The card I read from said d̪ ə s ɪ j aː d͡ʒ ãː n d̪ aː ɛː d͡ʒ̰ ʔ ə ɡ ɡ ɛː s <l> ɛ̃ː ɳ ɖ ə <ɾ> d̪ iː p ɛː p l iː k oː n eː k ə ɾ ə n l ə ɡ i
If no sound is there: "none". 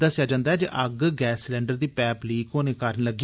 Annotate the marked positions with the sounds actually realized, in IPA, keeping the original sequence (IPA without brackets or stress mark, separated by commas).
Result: l, ɾ